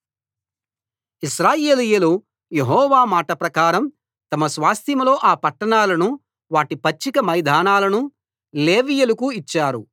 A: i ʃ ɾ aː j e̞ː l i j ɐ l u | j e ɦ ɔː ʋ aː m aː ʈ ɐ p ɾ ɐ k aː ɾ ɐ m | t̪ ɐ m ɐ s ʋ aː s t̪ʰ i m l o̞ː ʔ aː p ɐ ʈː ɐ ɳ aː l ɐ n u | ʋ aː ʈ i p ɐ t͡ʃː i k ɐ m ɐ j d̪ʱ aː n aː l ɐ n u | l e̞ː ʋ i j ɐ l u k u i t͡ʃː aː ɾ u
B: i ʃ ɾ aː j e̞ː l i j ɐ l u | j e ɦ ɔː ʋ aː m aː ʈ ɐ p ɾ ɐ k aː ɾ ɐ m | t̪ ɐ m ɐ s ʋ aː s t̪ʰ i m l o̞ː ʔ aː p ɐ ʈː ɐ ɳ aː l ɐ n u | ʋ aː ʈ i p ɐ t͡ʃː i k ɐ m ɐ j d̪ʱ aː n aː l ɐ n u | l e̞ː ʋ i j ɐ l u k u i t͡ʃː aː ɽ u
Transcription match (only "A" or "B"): A